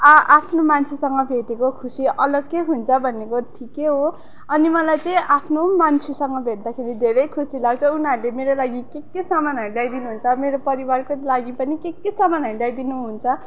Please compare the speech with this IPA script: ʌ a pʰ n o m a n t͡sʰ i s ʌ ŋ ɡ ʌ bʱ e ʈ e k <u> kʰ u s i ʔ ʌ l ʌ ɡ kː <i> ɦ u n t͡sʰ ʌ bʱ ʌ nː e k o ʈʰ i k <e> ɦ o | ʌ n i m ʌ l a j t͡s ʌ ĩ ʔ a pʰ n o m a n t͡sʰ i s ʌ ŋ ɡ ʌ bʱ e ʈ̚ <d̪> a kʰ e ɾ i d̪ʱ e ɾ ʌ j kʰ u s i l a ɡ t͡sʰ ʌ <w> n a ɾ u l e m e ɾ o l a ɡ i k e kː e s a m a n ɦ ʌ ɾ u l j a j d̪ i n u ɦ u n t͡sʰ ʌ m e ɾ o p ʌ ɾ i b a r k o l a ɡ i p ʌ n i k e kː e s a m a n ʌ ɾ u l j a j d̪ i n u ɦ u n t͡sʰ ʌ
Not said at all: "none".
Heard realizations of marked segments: o, e, e, d̪, u

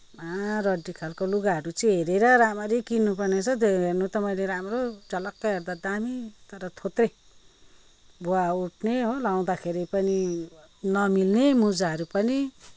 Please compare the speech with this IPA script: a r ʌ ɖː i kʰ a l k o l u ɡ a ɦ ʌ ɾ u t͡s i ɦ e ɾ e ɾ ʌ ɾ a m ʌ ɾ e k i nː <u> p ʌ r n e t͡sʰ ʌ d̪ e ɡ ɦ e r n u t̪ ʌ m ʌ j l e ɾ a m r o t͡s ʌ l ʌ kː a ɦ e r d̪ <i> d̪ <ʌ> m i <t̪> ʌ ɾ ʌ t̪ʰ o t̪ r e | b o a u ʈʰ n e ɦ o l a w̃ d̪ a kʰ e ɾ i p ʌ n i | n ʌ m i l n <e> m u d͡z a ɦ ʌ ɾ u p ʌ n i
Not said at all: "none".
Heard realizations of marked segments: u, a, a, t̪, e

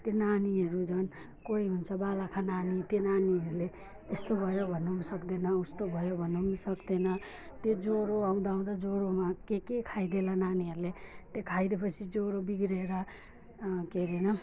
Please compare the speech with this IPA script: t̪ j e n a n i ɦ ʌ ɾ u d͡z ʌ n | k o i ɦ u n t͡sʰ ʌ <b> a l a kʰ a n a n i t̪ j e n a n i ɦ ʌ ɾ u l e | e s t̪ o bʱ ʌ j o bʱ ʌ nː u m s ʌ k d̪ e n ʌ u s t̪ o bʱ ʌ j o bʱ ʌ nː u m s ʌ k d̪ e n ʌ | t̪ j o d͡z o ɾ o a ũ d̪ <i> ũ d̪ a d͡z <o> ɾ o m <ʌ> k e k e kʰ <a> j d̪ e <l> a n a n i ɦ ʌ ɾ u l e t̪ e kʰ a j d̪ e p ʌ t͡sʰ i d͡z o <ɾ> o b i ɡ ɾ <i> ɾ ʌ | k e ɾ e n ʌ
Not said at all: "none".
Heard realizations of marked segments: b, a, o, a, a, l, ɾ, e

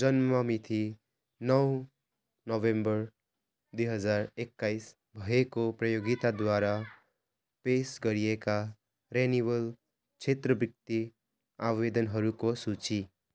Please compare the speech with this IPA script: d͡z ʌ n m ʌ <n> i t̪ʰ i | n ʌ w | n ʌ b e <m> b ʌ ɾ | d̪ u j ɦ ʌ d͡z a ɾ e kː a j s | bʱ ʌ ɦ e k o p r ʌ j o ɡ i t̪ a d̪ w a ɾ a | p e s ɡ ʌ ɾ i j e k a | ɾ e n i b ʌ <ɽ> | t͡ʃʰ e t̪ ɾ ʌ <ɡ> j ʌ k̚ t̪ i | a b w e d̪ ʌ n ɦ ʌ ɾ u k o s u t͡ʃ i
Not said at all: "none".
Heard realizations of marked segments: m, m, l, b

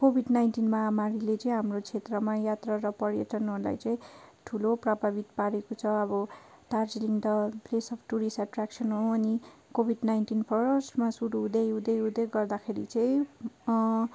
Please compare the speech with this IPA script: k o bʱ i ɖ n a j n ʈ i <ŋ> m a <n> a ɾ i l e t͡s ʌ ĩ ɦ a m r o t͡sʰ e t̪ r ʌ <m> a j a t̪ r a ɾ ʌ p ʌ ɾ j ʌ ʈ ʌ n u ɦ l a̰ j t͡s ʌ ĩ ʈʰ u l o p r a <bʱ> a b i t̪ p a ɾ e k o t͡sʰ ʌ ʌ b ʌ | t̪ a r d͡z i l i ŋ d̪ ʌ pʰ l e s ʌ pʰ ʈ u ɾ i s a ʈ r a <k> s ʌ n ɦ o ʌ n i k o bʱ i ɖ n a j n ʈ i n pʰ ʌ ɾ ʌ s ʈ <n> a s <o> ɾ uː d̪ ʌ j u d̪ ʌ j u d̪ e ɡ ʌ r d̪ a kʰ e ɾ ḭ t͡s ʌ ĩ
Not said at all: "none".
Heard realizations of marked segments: n, m, m, bʱ, k, m, u

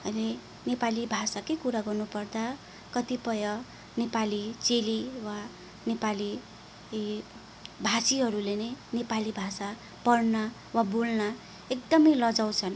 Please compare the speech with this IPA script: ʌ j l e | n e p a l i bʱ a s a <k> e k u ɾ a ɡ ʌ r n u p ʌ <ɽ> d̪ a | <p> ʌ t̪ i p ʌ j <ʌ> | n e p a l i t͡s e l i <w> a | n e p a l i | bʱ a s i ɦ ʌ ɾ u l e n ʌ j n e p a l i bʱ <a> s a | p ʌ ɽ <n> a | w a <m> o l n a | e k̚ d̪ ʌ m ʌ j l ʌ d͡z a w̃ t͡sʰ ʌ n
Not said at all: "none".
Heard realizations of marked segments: k, r, k, ʌ, w, a, n, b

